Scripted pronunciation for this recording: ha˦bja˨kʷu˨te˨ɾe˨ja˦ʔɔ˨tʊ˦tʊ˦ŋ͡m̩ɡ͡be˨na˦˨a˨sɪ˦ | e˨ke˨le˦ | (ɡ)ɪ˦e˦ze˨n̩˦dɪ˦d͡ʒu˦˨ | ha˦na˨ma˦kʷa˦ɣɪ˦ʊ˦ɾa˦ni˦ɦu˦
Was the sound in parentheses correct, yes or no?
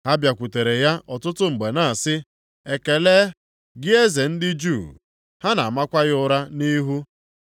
yes